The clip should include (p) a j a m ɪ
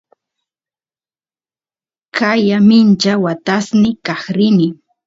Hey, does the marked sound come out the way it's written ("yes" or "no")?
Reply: no